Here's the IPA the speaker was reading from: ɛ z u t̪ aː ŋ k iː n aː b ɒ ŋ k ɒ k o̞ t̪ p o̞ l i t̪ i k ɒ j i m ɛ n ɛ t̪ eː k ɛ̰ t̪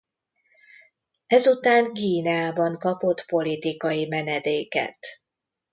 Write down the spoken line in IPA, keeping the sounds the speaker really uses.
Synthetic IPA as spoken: ɛ z u t̪ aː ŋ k iː n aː b ɒ ŋ k ɒ p o̞ t̪ p o̞ l i t̪ i k ɒ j i m ɛ n ɛ d̪ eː k ɛ̰ t̪